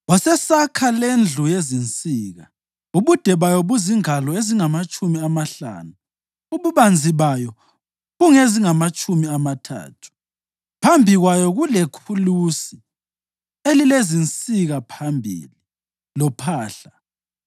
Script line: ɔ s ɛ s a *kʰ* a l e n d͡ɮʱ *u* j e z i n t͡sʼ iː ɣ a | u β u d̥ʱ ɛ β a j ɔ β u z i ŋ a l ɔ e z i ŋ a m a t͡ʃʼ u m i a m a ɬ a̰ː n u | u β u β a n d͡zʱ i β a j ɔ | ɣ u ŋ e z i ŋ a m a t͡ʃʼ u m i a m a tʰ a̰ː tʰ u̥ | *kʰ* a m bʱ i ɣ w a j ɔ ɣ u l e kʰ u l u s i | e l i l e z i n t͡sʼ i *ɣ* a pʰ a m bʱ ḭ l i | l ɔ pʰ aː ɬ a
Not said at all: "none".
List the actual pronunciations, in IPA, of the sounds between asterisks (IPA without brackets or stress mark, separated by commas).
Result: kʰ, u, pʰ, ɣ